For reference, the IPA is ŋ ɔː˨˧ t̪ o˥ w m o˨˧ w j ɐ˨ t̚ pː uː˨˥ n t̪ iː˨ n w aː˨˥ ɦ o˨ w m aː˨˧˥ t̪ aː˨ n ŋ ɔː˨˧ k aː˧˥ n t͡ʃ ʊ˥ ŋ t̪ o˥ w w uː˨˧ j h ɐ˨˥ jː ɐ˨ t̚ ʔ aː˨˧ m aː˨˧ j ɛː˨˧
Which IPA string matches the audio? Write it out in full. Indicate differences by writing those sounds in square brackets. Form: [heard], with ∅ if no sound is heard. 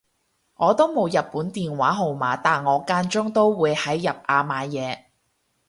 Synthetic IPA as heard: ŋ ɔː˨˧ t̪ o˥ w m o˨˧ w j ɐ˨ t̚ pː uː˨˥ n t̪ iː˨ n w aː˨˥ ɦ o˨ w m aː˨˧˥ t̪ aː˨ n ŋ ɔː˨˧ k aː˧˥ n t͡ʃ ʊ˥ ŋ t̪ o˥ w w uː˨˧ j h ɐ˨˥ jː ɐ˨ [p̚] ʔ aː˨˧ m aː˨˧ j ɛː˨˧